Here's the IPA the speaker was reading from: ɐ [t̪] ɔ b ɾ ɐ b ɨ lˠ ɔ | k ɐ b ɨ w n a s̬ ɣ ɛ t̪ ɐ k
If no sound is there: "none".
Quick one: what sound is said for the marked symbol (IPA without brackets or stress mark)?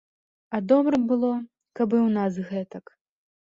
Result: d̪